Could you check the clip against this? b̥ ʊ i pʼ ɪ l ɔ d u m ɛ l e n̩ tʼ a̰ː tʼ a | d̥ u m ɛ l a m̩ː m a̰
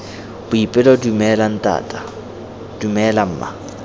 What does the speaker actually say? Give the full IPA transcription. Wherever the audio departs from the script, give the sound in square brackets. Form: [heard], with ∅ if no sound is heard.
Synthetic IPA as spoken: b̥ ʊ i pʼ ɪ l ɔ d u m ɛ l [a] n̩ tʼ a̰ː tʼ a | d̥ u m ɛ l a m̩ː m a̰